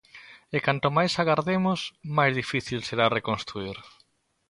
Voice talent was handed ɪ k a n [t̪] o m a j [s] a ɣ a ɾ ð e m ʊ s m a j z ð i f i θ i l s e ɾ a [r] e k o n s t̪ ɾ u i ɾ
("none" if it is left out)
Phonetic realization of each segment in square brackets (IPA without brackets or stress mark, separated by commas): t̪, s, r